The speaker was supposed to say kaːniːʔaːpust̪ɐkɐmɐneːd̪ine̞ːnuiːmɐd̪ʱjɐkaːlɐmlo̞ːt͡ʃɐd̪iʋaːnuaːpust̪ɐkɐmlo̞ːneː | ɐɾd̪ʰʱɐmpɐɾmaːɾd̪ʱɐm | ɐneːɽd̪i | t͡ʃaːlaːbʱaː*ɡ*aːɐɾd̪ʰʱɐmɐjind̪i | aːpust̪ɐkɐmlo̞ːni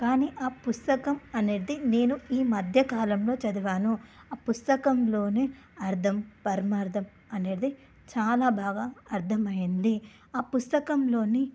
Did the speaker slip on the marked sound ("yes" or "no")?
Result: no